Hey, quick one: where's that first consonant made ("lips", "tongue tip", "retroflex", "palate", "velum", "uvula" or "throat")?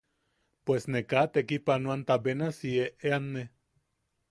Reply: lips